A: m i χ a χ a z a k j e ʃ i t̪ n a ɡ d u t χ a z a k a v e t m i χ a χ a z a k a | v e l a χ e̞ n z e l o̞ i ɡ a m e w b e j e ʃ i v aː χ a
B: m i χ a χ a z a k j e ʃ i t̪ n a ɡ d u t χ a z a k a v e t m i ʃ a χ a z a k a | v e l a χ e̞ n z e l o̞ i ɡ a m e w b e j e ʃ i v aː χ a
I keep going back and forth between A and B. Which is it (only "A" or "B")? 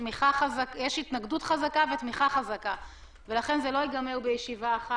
A